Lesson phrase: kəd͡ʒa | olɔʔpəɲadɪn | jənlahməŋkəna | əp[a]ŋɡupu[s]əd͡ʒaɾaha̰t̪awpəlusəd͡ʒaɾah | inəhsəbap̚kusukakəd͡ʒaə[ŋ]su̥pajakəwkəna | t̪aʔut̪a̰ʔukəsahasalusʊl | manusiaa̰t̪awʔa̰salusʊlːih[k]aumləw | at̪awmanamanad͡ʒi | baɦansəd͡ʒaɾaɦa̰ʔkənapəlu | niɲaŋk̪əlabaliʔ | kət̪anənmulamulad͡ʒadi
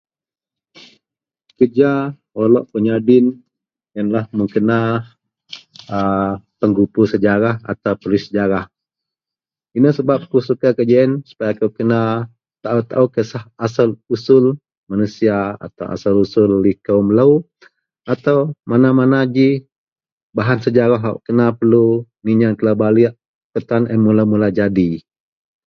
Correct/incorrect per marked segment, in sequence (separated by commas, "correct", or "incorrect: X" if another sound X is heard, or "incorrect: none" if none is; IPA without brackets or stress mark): incorrect: ə, correct, incorrect: n, correct